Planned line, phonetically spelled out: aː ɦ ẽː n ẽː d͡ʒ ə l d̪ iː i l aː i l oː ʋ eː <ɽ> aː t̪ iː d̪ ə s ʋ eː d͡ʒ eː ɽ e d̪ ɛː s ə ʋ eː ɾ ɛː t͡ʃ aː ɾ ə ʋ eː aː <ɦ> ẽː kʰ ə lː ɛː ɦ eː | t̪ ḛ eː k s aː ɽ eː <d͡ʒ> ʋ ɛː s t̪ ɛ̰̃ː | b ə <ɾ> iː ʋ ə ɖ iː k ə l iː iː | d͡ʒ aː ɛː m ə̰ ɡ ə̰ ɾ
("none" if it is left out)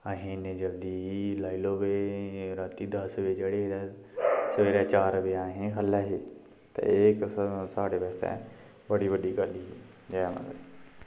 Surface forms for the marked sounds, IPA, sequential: ɾ, ɦ, none, ɽ

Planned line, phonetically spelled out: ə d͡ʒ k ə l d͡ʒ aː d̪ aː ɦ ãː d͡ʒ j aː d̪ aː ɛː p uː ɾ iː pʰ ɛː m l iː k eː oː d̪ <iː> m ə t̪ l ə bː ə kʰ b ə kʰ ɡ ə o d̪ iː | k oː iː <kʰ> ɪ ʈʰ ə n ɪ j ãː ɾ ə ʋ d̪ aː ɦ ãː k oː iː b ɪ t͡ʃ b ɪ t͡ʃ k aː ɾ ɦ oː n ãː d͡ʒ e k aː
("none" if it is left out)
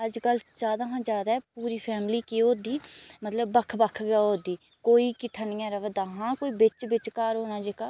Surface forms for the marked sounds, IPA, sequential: iː, k

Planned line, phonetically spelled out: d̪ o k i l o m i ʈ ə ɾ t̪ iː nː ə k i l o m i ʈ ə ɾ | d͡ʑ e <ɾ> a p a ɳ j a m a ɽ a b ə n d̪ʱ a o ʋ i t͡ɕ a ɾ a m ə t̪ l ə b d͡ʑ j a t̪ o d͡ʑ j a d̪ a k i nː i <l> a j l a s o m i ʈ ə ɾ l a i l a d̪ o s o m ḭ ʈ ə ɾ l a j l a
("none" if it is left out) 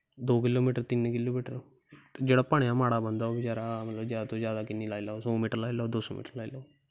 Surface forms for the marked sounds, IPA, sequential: ɽ, l

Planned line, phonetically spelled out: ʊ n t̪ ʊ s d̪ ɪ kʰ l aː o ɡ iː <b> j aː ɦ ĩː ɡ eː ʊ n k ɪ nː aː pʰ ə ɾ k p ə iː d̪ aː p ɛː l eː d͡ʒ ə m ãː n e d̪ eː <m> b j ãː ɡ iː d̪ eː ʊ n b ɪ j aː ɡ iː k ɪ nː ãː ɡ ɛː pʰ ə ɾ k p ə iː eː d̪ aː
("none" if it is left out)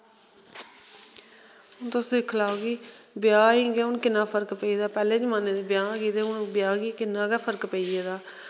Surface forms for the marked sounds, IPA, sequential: b, none

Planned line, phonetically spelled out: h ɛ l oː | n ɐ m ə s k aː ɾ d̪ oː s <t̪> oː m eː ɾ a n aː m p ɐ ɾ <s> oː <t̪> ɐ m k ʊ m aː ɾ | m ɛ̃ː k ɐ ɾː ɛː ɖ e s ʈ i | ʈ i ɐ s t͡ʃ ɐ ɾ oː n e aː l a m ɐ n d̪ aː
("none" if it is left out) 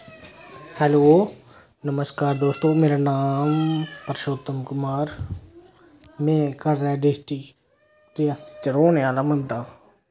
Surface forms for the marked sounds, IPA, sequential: t̪, ʃ, t̪

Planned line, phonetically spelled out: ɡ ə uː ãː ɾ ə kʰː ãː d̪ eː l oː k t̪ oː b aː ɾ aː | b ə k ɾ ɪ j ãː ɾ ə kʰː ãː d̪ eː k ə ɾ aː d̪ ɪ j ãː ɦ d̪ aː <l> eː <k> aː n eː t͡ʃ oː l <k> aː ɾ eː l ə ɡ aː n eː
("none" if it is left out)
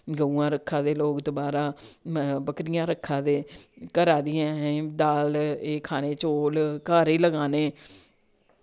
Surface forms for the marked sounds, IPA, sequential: l, kʰ, k

